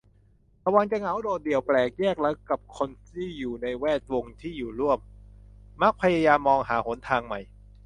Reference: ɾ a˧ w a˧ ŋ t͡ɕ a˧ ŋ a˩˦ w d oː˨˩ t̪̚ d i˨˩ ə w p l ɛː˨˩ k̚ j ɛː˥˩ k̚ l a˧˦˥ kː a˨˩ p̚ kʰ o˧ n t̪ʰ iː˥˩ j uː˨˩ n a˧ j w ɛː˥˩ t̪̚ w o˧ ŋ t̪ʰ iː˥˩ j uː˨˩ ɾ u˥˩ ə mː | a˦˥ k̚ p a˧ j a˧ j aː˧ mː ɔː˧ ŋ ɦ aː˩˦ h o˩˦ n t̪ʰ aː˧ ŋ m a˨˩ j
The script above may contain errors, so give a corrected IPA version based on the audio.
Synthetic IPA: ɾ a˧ w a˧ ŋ t͡ɕ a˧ ŋ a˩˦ w d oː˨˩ t̪̚ d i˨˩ ə w p l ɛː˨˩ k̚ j ɛː˥˩ k̚ l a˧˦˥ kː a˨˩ p̚ kʰ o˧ n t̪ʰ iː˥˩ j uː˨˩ n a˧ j w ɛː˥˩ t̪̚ w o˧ ŋ t̪ʰ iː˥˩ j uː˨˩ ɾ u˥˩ ə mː | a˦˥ k̚ pʰ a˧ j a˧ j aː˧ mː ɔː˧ ŋ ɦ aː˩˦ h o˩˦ n t̪ʰ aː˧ ŋ m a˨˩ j